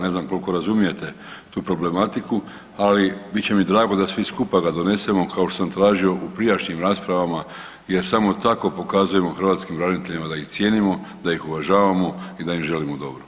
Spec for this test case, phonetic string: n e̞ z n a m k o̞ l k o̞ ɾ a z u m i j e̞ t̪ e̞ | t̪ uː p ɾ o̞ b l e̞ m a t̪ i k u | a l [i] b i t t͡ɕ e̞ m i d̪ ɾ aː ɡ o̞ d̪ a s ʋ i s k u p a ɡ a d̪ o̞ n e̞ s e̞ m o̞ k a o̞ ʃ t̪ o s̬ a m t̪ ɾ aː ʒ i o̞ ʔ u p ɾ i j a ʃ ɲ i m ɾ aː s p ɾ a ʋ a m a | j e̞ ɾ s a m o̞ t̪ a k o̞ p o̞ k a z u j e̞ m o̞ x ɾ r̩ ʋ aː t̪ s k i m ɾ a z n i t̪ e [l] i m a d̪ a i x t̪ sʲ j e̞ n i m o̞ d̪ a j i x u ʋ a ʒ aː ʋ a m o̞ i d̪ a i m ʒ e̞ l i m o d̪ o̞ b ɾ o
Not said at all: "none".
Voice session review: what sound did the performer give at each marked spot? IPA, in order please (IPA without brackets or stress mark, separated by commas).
i, ʎ